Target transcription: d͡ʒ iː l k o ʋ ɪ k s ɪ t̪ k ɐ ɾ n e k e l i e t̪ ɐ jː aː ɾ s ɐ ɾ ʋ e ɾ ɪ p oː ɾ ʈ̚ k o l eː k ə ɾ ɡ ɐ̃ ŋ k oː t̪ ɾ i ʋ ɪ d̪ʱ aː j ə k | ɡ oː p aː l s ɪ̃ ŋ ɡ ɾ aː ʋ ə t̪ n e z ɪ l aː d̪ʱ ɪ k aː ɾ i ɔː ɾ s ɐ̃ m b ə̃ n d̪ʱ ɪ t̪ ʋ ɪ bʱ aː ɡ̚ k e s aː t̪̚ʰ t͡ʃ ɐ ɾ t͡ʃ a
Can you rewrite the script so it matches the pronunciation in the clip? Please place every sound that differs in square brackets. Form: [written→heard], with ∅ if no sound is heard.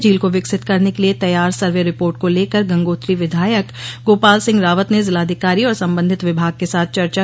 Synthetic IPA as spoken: d͡ʒ iː l k o ʋ ɪ k s ɪ t̪ k ɐ ɾ n e k e l i e t̪ ɐ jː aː ɾ s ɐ ɾ ʋ e ɾ ɪ p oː ɾ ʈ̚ k o l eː k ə ɾ ɡ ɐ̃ ŋ [k→ɡ] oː t̪ ɾ i ʋ ɪ d̪ʱ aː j ə k | ɡ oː p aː l s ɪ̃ ŋ ɡ ɾ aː ʋ ə t̪ n e z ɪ l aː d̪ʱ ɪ k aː ɾ i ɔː ɾ s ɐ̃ m b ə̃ n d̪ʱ ɪ t̪ ʋ ɪ bʱ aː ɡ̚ k e s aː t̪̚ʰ t͡ʃ ɐ ɾ t͡ʃ a